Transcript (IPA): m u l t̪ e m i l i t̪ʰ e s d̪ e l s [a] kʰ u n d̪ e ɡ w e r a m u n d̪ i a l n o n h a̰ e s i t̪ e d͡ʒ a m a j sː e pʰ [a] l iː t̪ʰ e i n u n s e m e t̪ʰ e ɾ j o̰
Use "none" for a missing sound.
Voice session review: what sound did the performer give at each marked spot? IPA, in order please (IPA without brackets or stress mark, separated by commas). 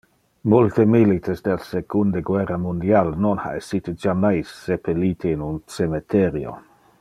e, e